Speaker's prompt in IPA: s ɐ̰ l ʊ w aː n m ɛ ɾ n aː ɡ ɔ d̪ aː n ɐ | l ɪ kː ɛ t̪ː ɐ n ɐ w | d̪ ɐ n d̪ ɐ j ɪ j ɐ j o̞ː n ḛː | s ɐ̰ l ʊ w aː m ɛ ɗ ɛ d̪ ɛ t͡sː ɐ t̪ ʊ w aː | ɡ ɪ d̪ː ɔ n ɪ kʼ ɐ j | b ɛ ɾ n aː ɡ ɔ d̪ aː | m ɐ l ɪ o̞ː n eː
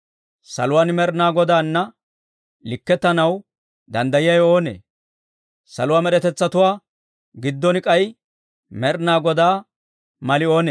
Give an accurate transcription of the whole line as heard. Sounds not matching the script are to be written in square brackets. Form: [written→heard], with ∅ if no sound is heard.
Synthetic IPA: s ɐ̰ l ʊ w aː n m ɛ ɾ n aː ɡ ɔ d̪ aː [n→nː] ɐ | l ɪ kː ɛ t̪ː ɐ n ɐ w | d̪ ɐ n d̪ ɐ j ɪ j ɐ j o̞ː n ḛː | s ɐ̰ l ʊ w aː m ɛ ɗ ɛ [d̪→t̪] ɛ t͡sː ɐ t̪ ʊ w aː | ɡ ɪ d̪ː ɔ n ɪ kʼ ɐ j | [b→m] ɛ ɾ n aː ɡ ɔ d̪ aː | m ɐ l ɪ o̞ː n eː